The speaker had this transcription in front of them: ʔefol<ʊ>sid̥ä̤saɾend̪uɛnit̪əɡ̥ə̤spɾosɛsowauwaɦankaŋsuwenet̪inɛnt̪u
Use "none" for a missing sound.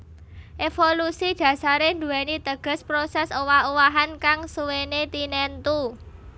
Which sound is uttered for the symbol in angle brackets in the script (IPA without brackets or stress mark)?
u